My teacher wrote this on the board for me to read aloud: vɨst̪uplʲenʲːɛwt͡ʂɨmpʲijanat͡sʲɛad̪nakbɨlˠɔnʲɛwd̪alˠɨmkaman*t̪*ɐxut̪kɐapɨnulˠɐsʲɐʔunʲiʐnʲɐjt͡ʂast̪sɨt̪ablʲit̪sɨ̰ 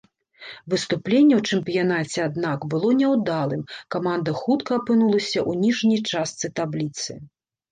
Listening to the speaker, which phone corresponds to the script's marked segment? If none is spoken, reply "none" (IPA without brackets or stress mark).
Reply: d̪